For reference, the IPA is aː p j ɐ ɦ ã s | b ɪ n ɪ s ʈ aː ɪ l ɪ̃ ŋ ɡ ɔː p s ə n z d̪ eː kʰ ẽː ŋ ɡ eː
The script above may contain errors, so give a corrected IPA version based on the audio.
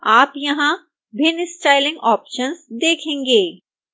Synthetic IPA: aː p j ɐ ɦ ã | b ɪ n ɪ s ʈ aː ɪ l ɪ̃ ŋ ɡ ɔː p ʃ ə n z d̪ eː kʰ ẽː ŋ ɡ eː